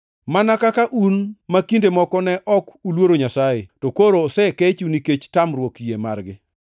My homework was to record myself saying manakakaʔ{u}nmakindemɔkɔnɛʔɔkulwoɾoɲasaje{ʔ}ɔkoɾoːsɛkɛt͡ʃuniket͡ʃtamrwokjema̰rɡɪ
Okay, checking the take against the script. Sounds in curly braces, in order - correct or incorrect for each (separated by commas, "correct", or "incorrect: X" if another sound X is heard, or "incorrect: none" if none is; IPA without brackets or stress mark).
correct, incorrect: t